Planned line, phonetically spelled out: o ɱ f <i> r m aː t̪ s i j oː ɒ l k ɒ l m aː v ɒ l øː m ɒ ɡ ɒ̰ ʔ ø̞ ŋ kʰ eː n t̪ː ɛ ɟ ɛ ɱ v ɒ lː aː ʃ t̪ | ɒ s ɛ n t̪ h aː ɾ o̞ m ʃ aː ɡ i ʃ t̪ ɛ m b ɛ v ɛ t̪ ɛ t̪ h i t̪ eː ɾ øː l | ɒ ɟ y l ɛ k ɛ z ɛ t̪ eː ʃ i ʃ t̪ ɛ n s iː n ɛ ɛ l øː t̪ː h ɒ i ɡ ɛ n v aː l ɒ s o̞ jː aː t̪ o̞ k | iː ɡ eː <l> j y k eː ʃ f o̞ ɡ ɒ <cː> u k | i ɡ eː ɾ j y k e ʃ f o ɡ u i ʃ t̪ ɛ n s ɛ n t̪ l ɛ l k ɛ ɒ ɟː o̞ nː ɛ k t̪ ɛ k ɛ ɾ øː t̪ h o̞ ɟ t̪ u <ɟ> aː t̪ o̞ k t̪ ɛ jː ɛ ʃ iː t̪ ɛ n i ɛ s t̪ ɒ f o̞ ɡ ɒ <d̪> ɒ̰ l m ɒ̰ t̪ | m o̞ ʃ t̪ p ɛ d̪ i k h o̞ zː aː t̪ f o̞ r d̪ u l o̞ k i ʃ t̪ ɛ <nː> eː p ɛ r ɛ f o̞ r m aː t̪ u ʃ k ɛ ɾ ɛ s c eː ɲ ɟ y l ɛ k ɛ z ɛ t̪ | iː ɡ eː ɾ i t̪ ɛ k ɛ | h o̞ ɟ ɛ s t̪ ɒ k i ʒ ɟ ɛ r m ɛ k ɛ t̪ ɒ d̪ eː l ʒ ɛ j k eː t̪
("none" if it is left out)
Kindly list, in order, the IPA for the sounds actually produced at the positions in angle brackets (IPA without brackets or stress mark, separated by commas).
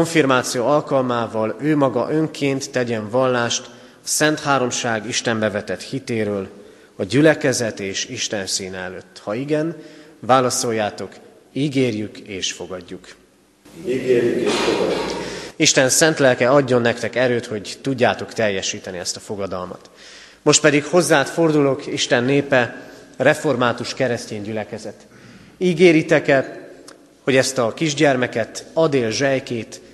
i, r, ɟː, ɟː, d̪, nː